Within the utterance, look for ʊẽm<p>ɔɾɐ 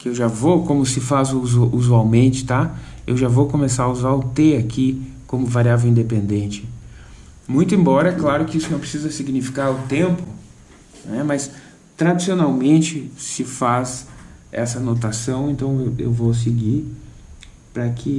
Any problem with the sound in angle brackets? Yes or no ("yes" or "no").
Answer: yes